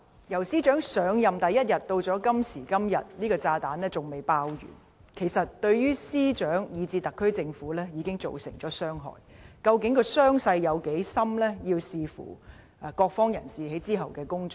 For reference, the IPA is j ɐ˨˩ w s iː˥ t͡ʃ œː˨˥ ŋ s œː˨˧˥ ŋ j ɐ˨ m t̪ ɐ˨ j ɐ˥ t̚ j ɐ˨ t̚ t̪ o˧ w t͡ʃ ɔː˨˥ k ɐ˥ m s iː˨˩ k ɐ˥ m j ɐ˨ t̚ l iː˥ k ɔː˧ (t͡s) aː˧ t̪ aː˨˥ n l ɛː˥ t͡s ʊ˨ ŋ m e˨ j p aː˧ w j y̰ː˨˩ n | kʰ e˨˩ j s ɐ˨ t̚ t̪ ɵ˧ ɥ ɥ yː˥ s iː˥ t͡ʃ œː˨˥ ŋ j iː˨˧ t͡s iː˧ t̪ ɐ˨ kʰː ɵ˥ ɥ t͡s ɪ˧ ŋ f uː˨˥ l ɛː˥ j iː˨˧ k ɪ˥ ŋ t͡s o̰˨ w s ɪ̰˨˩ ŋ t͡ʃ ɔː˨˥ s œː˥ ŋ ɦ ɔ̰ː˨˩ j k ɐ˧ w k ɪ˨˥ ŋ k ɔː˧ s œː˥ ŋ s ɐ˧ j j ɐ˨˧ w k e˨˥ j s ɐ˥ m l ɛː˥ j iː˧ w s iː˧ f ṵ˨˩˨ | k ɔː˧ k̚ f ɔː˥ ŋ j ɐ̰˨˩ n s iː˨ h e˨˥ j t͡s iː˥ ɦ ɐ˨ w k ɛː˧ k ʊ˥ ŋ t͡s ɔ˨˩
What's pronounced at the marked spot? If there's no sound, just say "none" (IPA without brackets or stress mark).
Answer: t͡s